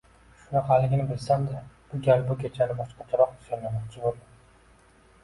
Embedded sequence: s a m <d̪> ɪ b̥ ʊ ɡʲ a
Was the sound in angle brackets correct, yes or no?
yes